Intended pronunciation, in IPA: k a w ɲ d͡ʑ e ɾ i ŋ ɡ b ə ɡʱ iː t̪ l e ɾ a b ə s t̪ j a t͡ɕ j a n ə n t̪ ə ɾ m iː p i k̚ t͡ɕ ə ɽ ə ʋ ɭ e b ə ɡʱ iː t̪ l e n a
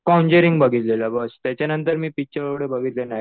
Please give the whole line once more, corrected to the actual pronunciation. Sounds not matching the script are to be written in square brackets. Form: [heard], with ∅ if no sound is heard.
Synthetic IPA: k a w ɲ d͡ʑ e ɾ i ŋ ɡ b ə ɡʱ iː t̪ l e [l] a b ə s t̪ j a t͡ɕ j a n ə n t̪ ə ɾ m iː p i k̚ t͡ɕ ə [ɾ] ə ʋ [ɽ] e b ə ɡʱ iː t̪ l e n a